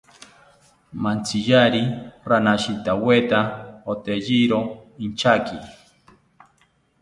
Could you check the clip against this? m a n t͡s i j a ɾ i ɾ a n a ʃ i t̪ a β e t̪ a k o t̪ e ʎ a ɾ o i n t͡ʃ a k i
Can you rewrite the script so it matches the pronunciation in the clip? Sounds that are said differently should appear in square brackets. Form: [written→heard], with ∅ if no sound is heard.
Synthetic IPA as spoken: m a n t͡s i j a ɾ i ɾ a n a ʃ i t̪ a [β→w] e t̪ a [k→∅] o t̪ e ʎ [a→i] ɾ o i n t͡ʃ a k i